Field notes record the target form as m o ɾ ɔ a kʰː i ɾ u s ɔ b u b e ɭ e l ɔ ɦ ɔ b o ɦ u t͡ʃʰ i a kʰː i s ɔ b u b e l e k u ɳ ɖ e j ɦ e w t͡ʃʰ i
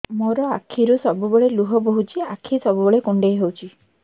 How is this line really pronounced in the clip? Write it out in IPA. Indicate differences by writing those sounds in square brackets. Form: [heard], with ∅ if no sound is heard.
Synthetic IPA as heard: m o ɾ ɔ a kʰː i ɾ u s ɔ b u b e ɭ e l [u] ɦ ɔ b o ɦ u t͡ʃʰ i a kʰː i s ɔ b u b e [ɭ] e k u ɳ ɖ e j ɦ e w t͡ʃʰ i